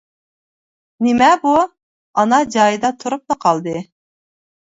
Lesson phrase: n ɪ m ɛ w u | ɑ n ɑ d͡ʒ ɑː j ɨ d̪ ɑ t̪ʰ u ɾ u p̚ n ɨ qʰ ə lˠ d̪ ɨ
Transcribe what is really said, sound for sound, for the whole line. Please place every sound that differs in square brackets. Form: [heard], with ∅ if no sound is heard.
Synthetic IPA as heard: n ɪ m ɛ [b] u | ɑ n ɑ d͡ʒ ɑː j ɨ d̪ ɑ t̪ʰ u ɾ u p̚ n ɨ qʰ [ɑ] lˠ d̪ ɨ